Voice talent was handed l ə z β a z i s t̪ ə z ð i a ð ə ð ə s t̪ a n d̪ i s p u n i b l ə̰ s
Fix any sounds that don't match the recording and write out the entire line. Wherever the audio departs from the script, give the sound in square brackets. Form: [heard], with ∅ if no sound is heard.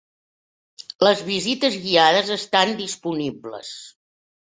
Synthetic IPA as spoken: l ə z β [i] z i [∅] t̪ ə z [ɣ] i a ð ə [z] ə s t̪ a n d̪ i s p u n i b l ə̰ s